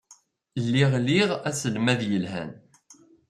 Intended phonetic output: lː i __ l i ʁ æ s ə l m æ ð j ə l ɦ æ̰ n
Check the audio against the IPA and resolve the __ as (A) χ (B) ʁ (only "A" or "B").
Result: B